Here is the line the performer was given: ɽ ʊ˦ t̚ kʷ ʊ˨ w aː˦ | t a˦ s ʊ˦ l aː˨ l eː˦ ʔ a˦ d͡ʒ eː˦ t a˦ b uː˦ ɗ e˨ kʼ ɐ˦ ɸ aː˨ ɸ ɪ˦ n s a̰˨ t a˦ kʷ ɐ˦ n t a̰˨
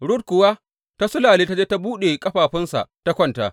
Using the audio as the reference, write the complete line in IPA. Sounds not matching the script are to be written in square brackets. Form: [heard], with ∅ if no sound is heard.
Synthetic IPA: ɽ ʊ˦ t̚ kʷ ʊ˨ w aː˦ | t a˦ s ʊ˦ l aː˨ l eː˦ [t] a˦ d͡ʒ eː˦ t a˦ b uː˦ ɗ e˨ kʼ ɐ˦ ɸ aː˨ ɸ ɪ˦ n s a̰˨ t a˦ kʷ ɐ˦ n t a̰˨